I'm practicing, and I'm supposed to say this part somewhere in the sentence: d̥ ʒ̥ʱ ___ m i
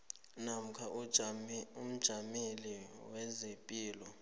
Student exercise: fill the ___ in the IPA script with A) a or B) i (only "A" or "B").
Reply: A